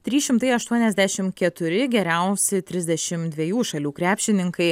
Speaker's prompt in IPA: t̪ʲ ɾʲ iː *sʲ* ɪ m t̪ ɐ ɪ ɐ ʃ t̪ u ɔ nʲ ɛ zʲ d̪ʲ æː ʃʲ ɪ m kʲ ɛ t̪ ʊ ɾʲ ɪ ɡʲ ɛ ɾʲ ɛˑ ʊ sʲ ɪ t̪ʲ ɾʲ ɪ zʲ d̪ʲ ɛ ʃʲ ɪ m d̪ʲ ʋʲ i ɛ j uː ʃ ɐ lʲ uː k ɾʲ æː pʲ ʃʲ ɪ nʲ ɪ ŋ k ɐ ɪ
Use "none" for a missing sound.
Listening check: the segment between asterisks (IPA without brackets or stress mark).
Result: ʃʲ